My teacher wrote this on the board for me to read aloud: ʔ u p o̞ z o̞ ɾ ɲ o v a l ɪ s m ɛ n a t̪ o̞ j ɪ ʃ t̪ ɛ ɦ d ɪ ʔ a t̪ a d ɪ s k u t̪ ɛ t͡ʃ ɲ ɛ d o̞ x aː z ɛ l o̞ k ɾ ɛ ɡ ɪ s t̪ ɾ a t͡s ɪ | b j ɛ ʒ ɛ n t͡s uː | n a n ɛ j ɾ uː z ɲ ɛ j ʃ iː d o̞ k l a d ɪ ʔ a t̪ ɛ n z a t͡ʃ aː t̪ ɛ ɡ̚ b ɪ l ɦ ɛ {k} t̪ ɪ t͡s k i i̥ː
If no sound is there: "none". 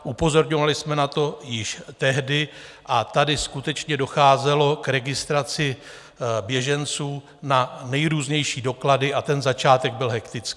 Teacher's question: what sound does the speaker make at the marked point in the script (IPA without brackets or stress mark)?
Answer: k